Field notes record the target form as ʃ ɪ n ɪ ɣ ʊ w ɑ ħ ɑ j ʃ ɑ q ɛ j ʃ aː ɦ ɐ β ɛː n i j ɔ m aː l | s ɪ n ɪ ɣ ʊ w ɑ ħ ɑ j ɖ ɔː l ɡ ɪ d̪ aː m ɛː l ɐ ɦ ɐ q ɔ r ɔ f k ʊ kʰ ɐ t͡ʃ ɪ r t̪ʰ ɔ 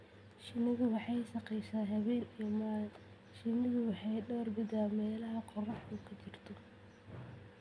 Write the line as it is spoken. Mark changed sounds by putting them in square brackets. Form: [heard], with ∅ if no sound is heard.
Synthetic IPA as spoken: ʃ ɪ n ɪ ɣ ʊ w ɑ ħ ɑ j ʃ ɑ q ɛ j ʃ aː ɦ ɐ β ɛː n i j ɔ m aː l | [ʃ] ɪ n ɪ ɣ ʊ w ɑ ħ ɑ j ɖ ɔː [r] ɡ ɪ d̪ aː m ɛː l ɐ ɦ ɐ q ɔ r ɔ [ħ] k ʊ kʰ ɐ t͡ʃ ɪ r t̪ʰ ɔ